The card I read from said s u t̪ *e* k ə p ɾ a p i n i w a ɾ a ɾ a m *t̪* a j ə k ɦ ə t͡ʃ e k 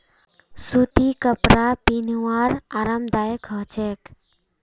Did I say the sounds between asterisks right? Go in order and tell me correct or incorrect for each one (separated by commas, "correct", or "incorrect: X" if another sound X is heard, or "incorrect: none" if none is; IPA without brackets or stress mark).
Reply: incorrect: i, incorrect: d̪